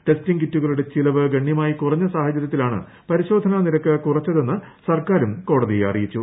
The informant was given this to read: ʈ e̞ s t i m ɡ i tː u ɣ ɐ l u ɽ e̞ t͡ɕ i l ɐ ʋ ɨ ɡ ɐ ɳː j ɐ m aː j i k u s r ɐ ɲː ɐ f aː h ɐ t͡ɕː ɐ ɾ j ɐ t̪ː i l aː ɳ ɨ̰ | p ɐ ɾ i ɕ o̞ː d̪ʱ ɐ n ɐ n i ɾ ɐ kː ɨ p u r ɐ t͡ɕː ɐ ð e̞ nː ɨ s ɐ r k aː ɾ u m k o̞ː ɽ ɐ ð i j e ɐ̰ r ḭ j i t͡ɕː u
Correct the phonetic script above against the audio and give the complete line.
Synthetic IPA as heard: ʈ e̞ s t i ŋ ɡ i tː u ɣ ɐ ɭ u ɽ e̞ t͡ɕ i l ɐ ʋ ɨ ɡ ɐ ɳː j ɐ m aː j i k u r ɐ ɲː ɐ s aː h ɐ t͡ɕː ɐ ɾ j ɐ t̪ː i l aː ɳ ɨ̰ | p ɐ ɾ i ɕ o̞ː d̪ʱ ɐ n ɐ n i ɾ ɐ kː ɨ k u r ɐ t͡ɕː ɐ ð e̞ nː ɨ s ɐ r k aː ɾ u m k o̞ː ɽ ɐ ð i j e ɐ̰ r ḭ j i t͡ɕː u